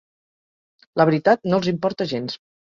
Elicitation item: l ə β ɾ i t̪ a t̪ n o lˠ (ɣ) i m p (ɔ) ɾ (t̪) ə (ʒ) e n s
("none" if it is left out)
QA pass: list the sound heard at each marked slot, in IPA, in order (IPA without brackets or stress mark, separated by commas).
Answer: z, ɔ, t̪, ʒ